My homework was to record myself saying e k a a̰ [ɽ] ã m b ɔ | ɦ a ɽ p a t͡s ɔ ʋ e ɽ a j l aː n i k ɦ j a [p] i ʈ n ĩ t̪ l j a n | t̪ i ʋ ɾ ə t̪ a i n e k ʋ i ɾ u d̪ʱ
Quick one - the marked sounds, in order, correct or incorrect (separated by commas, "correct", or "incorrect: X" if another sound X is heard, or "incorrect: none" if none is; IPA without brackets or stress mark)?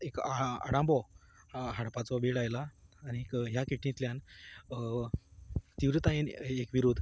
correct, incorrect: k